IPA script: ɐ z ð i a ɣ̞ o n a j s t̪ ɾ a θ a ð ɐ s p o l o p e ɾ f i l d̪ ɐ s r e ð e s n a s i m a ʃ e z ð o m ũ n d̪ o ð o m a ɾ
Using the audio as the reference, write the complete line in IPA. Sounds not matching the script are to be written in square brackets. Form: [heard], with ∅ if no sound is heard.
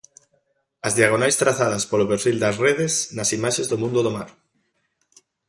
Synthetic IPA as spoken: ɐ z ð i a ɣ̞ o n a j s t̪ ɾ a θ a ð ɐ s p o l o p e ɾ f i l d̪ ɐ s r e ð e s n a s i m a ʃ e z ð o m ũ n d̪ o ð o m a ɾ